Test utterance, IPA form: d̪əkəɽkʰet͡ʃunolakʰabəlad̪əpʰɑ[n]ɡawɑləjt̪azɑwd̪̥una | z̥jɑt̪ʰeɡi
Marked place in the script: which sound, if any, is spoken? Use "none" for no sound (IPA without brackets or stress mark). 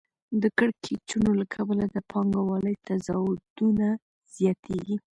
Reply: ŋ